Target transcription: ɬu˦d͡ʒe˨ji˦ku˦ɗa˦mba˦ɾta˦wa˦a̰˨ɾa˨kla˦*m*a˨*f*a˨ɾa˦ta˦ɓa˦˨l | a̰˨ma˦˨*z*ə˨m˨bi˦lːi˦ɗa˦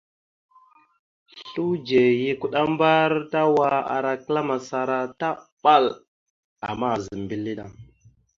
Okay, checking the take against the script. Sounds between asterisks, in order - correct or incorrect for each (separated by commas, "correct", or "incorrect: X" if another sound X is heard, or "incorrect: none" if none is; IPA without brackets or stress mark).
correct, incorrect: s, correct